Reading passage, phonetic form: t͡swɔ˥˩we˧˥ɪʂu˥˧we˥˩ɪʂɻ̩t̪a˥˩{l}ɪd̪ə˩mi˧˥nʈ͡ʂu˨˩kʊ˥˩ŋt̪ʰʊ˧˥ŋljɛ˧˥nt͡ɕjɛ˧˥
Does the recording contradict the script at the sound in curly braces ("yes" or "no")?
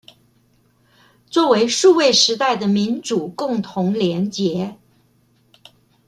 yes